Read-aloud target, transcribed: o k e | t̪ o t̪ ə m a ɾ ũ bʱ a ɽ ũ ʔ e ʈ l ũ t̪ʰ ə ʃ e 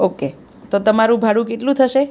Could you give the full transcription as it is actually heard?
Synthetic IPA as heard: o k e | t̪ o t̪ ə m a ɾ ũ bʱ a ɽ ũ k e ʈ l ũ t̪ʰ ə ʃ e